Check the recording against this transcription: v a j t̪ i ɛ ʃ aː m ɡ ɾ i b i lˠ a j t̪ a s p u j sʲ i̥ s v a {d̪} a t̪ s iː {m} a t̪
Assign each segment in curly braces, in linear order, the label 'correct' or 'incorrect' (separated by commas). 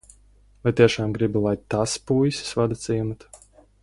correct, correct